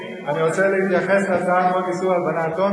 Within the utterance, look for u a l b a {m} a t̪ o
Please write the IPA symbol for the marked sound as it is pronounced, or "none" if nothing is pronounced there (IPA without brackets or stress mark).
n